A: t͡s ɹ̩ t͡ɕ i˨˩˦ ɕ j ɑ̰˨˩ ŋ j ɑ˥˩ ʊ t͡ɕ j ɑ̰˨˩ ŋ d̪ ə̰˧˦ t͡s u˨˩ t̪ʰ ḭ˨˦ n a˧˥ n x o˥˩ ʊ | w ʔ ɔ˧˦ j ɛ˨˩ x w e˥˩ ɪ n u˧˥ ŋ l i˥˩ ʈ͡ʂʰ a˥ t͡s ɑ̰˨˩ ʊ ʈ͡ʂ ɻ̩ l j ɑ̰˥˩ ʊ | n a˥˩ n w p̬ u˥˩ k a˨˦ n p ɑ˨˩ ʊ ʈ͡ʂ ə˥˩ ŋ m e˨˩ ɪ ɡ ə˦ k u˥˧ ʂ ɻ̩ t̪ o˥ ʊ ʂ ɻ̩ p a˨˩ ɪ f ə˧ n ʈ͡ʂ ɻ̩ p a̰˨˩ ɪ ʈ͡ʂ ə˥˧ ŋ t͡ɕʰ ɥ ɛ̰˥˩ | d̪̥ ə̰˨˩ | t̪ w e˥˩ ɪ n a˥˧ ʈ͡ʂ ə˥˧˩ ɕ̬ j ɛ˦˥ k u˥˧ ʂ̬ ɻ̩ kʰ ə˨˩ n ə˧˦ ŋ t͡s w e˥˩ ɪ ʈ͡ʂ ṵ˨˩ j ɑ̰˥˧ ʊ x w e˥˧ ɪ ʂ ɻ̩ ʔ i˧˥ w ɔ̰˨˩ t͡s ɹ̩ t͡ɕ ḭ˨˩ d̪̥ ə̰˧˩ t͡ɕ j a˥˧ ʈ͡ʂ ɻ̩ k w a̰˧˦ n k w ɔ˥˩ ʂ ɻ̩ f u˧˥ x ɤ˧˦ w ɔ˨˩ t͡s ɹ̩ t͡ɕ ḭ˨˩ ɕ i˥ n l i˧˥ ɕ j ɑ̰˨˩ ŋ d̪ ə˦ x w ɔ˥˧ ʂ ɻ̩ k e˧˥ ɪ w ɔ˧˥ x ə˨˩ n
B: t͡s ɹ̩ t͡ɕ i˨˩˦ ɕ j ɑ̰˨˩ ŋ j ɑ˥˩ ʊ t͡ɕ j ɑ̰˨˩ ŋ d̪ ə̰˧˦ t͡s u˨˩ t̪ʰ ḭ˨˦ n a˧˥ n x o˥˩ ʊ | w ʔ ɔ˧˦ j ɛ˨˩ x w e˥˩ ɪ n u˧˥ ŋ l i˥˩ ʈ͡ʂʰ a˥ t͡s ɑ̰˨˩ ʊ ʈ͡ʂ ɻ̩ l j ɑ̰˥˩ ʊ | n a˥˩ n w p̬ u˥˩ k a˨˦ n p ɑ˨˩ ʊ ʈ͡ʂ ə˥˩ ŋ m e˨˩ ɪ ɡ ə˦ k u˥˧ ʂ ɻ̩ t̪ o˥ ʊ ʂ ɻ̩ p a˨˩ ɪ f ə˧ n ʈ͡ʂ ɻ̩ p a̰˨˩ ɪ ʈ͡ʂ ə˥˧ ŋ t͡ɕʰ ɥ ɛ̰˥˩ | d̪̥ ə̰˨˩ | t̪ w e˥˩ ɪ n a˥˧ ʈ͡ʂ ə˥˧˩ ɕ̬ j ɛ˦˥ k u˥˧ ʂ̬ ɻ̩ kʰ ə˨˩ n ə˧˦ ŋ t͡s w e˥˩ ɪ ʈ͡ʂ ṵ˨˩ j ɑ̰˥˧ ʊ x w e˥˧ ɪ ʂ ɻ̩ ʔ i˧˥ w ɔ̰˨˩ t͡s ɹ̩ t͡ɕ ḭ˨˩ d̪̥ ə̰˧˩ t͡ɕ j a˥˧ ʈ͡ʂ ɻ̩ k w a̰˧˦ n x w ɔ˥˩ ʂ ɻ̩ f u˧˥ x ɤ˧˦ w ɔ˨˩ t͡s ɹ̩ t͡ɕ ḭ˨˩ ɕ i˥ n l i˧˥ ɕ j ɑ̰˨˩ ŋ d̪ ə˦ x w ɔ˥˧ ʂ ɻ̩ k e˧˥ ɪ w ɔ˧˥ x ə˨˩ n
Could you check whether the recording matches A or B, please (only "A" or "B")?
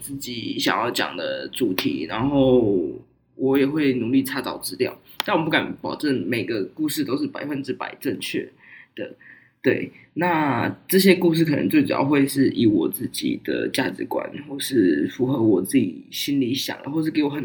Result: B